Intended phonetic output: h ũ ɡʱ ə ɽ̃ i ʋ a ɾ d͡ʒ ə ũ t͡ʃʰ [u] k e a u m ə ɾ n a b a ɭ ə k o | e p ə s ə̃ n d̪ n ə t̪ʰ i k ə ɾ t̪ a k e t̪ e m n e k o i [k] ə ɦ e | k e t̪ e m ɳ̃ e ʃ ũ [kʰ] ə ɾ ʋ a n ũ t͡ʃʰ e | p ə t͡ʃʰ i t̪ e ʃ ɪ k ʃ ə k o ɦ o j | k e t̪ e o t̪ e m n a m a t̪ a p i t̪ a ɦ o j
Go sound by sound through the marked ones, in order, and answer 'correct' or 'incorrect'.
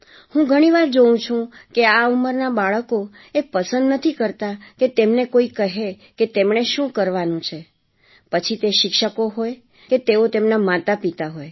incorrect: ũ, correct, incorrect: k

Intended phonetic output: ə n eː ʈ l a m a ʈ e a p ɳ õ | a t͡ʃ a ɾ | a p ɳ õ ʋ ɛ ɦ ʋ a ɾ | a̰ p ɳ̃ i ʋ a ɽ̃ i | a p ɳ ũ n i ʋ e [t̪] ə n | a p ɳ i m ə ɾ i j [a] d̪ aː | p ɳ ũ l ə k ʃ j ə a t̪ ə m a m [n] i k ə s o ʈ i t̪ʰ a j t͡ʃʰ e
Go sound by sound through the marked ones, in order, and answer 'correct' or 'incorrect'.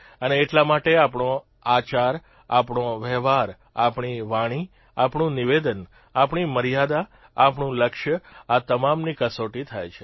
incorrect: d̪, correct, correct

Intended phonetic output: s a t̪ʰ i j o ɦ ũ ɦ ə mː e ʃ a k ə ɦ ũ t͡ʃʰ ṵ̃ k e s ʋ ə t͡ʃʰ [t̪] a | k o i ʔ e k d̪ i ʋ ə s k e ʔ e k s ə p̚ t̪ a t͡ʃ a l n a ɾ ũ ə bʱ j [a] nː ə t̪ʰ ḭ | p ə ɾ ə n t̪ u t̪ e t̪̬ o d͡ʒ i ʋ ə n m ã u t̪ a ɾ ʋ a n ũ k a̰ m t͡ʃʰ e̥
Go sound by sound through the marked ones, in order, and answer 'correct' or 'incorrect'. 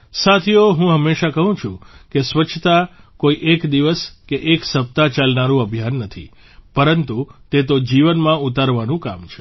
correct, correct

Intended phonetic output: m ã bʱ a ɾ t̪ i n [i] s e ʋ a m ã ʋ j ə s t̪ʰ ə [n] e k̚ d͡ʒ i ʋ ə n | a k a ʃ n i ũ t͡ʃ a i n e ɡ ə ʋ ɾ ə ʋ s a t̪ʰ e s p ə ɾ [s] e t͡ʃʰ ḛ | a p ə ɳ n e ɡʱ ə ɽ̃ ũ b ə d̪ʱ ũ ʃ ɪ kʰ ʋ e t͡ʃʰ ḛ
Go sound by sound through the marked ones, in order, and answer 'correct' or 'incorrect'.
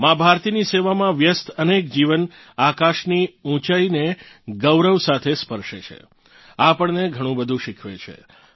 correct, correct, incorrect: ʃ

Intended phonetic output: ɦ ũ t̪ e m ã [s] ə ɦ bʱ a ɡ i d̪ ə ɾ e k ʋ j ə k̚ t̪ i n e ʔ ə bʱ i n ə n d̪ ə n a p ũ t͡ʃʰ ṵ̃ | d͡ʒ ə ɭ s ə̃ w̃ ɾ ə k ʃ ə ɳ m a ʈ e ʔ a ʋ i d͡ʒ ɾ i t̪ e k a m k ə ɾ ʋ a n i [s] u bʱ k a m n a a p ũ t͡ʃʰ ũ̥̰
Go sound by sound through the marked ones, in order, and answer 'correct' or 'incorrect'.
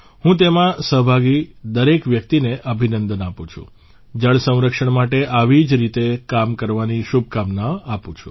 correct, incorrect: ʃ

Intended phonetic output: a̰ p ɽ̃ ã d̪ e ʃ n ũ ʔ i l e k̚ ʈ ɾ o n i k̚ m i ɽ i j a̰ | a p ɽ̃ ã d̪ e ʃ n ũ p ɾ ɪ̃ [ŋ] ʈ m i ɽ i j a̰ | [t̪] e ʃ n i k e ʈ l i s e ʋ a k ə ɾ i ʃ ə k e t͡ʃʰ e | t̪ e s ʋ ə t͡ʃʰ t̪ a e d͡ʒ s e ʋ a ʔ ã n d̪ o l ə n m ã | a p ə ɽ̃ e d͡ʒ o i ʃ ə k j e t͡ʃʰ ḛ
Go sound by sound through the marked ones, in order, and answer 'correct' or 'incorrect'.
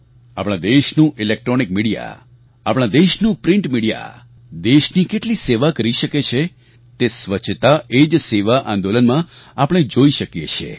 incorrect: ɳ, incorrect: d̪

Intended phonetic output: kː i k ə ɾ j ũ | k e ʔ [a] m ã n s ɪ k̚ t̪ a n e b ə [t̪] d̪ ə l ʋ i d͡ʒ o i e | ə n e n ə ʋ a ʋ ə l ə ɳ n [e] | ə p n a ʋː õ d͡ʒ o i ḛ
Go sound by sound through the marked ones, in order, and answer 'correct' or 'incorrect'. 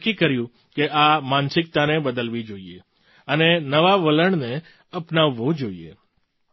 correct, incorrect: none, correct

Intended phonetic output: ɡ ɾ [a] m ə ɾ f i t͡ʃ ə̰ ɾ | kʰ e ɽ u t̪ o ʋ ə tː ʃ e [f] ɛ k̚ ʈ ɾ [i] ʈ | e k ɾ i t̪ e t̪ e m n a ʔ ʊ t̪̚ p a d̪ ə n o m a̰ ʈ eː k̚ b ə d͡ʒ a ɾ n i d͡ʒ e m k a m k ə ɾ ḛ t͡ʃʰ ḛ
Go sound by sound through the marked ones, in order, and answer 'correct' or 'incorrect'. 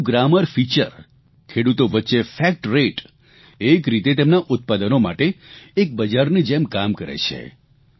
correct, correct, incorrect: e

